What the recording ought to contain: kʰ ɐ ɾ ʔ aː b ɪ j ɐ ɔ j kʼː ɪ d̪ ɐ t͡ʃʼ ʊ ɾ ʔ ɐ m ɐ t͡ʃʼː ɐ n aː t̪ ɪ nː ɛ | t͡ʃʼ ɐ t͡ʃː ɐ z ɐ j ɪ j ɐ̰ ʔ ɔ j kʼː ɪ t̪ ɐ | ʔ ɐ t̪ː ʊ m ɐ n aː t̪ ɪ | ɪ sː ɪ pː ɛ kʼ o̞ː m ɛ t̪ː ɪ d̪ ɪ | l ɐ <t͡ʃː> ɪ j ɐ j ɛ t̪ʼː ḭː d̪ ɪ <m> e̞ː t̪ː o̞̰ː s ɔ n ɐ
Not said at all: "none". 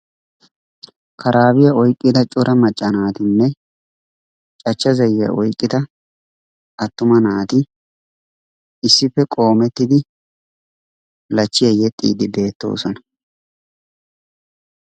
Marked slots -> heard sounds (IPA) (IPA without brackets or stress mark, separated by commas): t͡ʃː, b